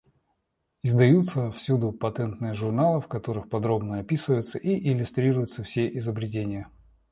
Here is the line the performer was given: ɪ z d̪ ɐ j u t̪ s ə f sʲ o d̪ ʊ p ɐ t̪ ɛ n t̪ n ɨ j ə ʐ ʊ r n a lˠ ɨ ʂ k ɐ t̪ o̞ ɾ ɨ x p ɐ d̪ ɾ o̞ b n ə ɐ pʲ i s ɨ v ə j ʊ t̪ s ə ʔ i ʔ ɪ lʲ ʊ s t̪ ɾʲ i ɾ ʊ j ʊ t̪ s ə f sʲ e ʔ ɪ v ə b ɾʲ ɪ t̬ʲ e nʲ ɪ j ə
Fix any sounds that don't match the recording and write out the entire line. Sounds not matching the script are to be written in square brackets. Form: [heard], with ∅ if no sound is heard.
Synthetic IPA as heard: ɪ z d̪ ɐ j u t̪ s ə f sʲ [u] d̪ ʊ p ɐ t̪ ɛ n t̪ n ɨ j ə ʐ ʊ r n a lˠ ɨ [f] k ɐ t̪ o̞ ɾ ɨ x p ɐ d̪ ɾ o̞ b n ə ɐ pʲ i s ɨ v ə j ʊ t̪ s ə ʔ i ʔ ɪ lʲ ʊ s t̪ ɾʲ i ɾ ʊ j ʊ t̪ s ə f sʲ e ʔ ɪ [z] ə b ɾʲ ɪ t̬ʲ e nʲ ɪ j ə